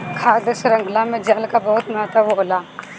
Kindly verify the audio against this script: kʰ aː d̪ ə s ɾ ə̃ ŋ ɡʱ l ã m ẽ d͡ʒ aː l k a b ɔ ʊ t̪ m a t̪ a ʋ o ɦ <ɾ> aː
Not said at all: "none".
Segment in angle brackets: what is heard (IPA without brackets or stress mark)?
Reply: l